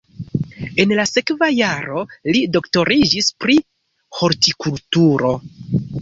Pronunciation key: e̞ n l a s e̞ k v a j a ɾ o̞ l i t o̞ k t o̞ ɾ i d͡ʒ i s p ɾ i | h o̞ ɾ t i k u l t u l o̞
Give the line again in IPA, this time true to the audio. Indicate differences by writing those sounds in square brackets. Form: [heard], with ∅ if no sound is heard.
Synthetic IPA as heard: e̞ n l a s e̞ k v a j a ɾ o̞ l i [d] o̞ k t o̞ ɾ i d͡ʒ i s p ɾ i | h o̞ ɾ t i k u l t u [ɾ] o̞